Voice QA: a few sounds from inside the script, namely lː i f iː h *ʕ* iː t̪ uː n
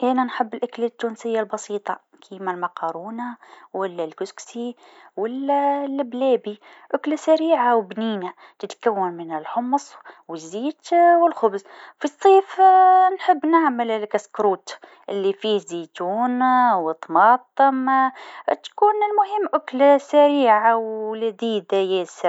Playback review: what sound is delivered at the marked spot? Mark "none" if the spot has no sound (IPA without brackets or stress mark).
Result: z